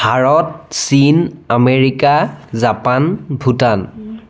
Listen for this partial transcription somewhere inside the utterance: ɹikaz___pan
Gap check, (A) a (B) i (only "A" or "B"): A